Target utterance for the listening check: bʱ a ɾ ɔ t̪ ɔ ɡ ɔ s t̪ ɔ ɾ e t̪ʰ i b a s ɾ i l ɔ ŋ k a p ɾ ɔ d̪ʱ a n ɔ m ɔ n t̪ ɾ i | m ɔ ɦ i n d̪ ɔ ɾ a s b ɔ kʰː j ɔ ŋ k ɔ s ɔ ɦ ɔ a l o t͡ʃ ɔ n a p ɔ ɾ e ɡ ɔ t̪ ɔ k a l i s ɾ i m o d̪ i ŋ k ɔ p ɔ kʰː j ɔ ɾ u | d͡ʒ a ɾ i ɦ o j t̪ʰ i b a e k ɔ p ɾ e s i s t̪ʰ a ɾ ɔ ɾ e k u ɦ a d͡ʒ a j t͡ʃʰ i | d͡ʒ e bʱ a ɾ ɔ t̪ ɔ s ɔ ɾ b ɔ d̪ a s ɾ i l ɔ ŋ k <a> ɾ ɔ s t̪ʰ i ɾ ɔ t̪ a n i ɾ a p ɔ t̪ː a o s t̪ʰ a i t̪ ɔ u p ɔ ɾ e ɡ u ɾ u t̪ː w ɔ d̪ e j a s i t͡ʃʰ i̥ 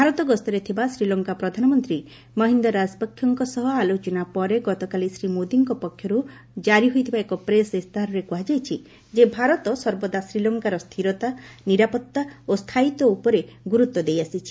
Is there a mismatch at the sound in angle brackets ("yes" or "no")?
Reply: no